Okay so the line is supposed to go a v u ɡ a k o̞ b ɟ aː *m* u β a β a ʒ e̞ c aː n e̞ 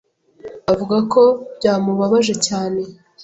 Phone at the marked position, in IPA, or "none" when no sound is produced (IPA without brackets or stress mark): m